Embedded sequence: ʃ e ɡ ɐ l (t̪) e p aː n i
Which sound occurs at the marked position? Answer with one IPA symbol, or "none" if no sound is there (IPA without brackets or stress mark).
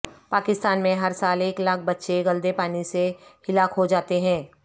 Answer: d̪